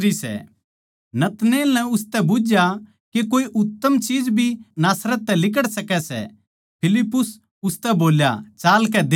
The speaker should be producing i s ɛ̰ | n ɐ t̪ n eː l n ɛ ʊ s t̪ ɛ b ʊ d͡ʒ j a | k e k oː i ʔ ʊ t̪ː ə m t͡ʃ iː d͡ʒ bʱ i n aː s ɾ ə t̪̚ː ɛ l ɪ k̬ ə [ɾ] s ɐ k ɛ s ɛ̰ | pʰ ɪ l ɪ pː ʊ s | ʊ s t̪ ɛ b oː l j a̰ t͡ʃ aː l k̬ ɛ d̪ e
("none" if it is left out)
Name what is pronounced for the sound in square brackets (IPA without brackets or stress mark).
ɽ